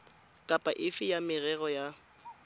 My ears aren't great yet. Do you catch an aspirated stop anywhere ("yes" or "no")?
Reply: no